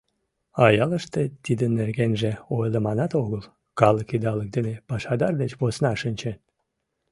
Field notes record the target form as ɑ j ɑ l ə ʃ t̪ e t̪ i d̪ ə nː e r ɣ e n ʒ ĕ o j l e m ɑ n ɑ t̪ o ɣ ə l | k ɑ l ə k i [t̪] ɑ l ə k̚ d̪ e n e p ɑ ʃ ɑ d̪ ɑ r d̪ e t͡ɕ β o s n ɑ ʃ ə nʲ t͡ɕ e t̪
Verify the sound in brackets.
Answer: incorrect: d̪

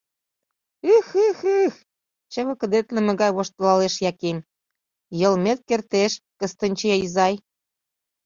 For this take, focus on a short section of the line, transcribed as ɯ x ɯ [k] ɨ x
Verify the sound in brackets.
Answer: incorrect: x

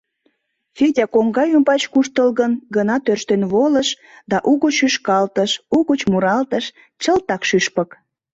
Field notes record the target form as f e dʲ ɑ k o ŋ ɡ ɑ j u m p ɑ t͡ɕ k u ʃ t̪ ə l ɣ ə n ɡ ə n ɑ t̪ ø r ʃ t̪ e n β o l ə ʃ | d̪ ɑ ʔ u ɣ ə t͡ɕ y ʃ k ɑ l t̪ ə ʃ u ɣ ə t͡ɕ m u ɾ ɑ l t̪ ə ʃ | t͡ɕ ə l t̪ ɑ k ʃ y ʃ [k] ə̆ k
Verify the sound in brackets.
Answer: incorrect: p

